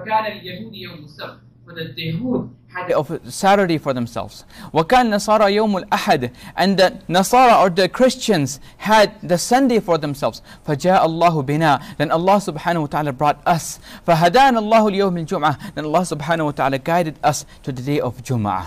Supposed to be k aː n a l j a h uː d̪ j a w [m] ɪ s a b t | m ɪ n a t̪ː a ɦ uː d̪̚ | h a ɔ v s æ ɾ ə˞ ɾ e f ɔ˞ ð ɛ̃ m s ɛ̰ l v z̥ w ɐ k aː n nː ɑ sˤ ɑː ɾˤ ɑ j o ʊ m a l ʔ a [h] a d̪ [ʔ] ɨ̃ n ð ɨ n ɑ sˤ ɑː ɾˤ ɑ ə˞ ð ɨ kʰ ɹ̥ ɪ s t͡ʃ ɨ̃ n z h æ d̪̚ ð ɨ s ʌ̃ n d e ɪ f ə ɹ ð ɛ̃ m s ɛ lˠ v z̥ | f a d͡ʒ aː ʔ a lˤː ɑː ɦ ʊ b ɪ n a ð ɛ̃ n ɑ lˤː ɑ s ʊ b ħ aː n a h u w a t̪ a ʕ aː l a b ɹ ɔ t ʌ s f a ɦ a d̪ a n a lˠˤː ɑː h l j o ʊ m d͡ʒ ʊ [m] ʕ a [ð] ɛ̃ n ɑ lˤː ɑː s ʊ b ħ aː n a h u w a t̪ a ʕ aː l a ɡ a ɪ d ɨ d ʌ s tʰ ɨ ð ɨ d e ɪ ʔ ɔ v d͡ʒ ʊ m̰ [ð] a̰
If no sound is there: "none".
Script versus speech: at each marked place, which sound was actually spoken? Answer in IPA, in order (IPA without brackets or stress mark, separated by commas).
m, ħ, ʔ, m, ð, ʕ